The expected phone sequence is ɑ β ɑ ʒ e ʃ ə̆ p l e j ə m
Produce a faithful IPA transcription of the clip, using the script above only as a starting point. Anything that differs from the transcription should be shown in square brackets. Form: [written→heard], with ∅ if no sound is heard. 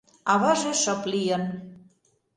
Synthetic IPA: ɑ β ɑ ʒ e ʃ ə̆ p l [e→i] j ə [m→n]